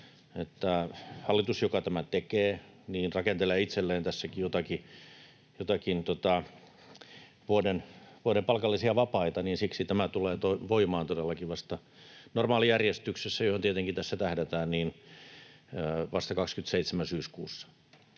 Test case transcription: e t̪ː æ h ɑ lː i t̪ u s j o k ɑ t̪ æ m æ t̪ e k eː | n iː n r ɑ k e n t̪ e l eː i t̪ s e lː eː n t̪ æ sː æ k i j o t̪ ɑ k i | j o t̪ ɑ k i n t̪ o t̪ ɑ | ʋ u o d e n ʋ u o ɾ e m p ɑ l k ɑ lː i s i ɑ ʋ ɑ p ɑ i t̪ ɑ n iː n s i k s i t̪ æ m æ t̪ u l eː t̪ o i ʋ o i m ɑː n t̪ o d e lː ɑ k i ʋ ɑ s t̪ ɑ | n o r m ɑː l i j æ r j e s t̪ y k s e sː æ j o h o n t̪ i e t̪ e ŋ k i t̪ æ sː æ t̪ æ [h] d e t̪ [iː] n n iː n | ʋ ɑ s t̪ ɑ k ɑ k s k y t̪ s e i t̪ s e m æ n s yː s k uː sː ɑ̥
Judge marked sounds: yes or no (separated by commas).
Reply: yes, no